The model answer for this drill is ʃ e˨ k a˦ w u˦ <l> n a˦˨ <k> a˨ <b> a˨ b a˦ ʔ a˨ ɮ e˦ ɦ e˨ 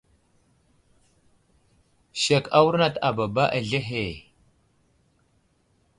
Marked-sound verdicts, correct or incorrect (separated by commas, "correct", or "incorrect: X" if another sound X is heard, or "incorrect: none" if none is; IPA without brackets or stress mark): incorrect: ɾ, incorrect: t, correct